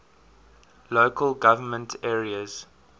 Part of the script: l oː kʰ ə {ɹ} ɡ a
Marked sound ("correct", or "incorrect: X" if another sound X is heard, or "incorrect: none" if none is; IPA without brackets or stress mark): incorrect: l